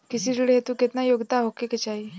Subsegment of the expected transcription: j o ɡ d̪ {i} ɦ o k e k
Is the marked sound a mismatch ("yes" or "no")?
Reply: yes